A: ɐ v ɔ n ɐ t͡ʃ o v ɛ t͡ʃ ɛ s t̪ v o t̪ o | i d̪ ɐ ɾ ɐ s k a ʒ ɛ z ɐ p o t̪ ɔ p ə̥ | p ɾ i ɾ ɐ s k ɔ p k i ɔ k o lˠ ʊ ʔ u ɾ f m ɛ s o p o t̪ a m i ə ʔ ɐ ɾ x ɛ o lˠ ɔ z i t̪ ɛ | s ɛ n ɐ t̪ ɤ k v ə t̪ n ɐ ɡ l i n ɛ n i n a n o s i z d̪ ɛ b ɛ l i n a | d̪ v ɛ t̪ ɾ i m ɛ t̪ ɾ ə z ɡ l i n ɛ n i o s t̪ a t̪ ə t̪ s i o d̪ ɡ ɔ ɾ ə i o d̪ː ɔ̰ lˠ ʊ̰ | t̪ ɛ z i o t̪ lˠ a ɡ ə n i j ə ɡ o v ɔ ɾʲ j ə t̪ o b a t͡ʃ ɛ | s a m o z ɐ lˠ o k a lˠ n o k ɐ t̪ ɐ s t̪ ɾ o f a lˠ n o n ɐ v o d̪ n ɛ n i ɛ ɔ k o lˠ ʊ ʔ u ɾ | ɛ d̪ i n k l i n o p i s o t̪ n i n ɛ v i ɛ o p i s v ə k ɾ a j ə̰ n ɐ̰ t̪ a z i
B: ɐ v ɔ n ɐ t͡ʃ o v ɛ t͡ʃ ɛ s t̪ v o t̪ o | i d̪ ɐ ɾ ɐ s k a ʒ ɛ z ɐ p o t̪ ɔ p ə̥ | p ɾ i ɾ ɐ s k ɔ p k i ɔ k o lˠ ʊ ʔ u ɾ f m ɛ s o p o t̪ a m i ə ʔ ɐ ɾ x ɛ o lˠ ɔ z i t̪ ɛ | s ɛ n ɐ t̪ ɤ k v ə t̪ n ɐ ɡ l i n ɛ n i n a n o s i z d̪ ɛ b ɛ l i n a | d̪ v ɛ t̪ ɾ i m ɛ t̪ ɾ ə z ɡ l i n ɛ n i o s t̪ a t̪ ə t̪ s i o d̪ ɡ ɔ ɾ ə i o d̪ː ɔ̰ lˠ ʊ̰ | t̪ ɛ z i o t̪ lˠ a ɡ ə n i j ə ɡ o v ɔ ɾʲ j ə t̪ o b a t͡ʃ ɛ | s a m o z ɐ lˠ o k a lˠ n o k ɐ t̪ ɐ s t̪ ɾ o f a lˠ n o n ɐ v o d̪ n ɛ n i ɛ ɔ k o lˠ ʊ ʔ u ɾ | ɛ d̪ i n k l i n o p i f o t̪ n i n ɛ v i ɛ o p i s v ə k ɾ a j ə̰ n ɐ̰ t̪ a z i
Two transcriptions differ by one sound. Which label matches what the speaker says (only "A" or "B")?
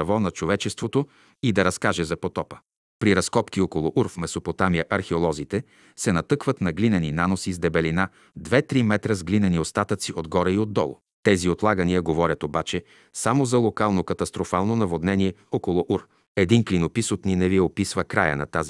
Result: A